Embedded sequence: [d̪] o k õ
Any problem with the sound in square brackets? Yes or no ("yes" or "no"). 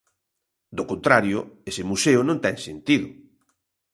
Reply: no